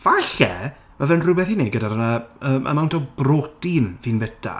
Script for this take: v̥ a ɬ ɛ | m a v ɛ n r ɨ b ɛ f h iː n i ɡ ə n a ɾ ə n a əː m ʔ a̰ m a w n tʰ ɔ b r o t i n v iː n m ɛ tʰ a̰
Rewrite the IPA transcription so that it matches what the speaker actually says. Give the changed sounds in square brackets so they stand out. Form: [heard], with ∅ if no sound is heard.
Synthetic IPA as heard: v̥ a ɬ ɛ | m a v ɛ n r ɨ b ɛ [θ] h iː n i ɡ ə [d] a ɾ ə n a əː m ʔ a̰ m a w n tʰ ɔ b r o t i n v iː n [b] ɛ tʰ a̰